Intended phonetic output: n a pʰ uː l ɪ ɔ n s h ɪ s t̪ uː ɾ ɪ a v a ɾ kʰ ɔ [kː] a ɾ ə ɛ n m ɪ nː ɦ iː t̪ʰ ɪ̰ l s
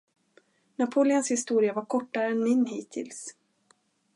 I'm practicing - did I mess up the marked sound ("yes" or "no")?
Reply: yes